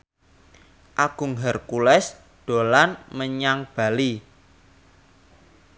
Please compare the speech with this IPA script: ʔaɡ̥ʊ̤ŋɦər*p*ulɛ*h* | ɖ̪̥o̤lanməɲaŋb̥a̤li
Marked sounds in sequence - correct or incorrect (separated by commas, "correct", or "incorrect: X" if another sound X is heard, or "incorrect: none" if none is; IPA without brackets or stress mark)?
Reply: incorrect: k, incorrect: s